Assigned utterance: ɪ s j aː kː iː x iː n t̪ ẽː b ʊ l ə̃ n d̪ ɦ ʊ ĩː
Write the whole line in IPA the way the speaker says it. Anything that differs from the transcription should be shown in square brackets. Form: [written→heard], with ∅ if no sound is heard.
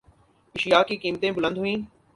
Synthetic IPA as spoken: ɪ [s→ʃ] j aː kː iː [x→k] iː [n→m] t̪ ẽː b ʊ l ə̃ n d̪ ɦ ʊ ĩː